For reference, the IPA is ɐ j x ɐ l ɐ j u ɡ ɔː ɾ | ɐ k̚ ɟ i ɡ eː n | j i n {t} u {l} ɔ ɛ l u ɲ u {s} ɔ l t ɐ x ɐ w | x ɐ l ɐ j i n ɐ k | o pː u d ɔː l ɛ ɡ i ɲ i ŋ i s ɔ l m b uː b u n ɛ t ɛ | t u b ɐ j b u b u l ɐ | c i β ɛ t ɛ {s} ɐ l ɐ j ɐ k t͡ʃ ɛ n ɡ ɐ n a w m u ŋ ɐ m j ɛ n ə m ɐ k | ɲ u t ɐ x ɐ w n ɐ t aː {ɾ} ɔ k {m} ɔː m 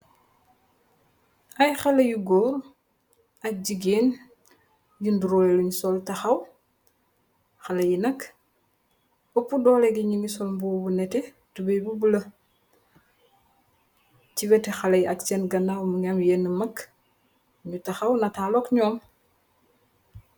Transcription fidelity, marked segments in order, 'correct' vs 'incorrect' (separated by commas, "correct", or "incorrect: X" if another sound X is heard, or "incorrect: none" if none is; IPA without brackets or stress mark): incorrect: d, incorrect: ɾ, correct, incorrect: x, incorrect: l, incorrect: ɲ